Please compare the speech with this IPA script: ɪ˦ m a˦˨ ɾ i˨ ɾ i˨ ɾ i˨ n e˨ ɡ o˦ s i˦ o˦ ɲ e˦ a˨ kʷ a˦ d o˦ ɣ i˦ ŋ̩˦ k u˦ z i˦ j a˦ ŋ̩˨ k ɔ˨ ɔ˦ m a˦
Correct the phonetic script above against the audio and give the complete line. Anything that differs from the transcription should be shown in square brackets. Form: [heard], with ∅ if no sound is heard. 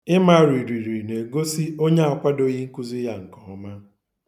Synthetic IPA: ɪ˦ m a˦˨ ɾ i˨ ɾ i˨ ɾ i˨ n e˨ ɡ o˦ s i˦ o˦ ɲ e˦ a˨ kʷ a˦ d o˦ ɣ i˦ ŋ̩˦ k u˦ z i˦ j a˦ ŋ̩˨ k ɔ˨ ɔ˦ m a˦